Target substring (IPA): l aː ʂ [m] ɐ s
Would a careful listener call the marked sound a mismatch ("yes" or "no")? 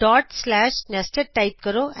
yes